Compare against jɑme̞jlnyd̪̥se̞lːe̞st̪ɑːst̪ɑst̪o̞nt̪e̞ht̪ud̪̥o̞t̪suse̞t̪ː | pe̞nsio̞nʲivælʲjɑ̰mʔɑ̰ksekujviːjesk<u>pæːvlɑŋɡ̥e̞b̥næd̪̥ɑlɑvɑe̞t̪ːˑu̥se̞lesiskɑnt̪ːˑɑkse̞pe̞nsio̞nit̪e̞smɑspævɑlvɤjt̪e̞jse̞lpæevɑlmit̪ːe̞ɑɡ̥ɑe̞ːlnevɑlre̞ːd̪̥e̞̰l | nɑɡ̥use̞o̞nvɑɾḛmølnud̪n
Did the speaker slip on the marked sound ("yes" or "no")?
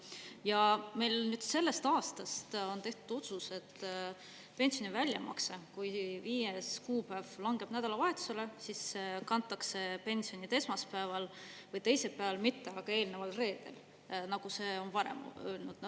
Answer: yes